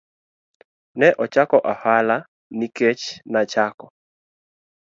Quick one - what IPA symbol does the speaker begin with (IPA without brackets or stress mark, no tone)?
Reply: n